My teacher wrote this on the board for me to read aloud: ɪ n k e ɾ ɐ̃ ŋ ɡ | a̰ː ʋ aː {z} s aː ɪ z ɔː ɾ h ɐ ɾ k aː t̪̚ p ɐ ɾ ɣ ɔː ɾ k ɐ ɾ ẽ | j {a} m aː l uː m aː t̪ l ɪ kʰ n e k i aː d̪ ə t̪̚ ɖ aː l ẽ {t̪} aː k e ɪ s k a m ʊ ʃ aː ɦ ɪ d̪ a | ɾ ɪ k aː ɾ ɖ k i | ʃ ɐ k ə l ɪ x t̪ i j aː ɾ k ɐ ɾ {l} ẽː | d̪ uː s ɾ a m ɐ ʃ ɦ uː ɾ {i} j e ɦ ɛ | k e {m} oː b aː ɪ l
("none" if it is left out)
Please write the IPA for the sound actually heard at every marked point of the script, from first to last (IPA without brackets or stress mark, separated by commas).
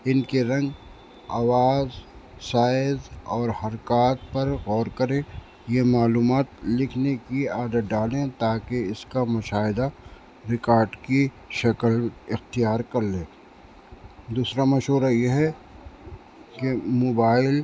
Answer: z, e, t̪, l, a, m